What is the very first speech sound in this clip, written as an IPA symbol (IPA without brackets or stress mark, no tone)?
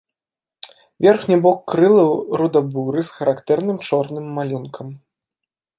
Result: vʲ